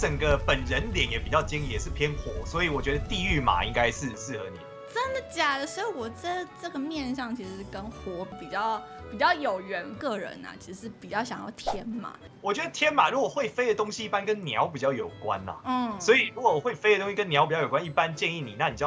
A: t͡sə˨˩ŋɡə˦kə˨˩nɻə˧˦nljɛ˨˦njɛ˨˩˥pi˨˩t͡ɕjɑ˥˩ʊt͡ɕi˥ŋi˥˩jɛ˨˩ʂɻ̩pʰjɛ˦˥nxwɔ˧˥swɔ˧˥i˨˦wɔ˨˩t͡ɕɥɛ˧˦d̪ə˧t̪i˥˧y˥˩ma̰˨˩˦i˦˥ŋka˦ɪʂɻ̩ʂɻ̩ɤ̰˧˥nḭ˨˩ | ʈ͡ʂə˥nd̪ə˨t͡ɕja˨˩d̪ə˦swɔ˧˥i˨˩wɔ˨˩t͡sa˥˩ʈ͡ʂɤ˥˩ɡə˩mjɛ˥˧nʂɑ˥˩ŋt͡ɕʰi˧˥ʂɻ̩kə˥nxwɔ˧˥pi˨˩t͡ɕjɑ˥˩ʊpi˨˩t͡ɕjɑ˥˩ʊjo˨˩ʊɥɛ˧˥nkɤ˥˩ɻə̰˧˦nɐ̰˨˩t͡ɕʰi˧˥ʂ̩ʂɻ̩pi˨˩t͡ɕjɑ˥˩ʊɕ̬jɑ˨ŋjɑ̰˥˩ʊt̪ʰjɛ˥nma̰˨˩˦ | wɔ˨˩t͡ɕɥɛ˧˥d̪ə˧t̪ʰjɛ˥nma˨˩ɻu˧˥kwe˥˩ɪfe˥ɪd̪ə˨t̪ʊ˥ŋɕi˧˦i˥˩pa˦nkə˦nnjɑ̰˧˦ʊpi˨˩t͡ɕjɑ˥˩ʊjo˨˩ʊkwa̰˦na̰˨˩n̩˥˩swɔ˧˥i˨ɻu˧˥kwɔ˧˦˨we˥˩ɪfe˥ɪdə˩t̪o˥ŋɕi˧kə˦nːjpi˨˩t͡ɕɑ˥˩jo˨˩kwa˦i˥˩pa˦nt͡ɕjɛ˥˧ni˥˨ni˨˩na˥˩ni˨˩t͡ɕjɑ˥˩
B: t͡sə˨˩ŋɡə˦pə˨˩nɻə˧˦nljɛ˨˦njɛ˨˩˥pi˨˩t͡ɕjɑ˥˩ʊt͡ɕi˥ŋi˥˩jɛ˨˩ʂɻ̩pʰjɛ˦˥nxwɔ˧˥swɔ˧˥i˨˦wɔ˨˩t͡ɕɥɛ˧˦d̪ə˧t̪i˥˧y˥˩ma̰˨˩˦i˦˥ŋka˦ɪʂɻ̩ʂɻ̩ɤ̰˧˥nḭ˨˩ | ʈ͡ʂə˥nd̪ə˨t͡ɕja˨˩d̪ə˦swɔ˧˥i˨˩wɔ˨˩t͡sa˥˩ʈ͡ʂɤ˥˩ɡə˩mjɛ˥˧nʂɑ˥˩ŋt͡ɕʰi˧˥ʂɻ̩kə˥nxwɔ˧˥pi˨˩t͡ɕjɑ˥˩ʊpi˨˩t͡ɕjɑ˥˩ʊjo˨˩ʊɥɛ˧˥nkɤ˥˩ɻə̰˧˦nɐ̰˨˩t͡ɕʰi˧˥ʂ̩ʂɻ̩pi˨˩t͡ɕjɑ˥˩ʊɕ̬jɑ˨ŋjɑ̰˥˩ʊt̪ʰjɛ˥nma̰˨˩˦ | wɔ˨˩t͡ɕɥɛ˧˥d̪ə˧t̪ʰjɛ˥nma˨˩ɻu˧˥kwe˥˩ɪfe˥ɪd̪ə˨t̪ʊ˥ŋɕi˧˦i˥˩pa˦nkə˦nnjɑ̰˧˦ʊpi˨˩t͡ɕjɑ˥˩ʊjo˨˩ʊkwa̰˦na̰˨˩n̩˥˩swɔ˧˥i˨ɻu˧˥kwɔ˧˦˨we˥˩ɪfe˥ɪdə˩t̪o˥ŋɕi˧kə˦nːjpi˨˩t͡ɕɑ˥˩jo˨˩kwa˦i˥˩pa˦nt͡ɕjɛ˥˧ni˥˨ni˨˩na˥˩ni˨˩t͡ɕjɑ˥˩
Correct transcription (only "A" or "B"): B